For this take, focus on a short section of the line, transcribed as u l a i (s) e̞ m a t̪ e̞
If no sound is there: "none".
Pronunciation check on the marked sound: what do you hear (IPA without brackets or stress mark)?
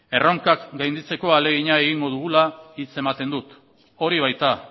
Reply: t͡s